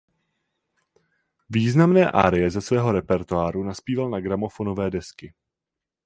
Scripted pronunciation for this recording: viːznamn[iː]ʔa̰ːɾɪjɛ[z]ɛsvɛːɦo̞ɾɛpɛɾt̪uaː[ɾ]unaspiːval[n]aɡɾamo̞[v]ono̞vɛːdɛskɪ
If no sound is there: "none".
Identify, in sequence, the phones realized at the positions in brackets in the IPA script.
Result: ɛː, z, ɾ, n, f

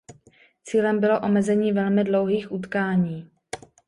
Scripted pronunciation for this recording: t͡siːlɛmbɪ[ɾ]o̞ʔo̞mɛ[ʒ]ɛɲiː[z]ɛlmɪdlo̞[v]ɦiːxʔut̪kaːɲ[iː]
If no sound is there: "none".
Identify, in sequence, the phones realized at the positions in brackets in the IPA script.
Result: l, z, v, w, iː

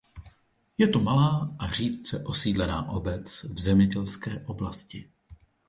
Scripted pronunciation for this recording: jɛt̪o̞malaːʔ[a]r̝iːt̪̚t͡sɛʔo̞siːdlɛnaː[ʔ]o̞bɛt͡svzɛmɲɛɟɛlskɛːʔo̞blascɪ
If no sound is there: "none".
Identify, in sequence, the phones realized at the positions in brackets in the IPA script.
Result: a, ʔ

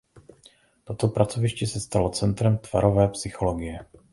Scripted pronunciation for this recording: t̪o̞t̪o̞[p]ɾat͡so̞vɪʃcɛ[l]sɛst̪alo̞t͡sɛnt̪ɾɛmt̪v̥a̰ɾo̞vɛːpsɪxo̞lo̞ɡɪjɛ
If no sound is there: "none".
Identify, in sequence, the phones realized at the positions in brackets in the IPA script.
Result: p, none

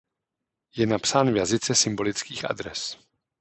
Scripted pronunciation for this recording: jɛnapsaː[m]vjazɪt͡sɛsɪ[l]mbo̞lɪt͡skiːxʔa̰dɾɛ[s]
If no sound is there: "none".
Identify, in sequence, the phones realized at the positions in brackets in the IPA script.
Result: n, none, s

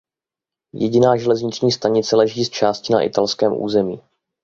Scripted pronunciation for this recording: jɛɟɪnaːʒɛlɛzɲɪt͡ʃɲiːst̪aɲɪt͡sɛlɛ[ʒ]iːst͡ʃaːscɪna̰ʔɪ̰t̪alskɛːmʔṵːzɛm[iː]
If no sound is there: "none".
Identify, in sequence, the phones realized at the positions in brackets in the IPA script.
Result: ʒ, iː

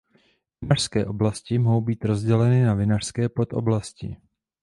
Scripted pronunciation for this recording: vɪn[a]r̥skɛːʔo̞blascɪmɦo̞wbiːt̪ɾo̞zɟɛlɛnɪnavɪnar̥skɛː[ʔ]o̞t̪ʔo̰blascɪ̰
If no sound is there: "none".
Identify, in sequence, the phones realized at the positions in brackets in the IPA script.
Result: a, p

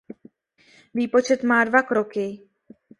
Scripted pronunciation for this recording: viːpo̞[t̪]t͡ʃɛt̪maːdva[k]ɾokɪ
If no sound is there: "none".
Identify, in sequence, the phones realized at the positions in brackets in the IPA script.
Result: none, k

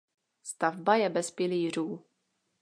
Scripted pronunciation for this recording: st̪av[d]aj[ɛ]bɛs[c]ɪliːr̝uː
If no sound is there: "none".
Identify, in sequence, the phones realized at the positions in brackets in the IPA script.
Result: b, ɛ, p

